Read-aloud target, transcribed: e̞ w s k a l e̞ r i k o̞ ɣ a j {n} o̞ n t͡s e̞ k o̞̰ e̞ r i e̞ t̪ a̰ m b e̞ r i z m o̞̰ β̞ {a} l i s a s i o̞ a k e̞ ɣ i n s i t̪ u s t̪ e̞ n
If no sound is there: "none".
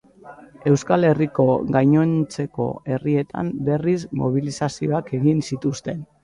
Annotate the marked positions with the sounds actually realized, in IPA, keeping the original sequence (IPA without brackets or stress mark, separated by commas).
ɲ, i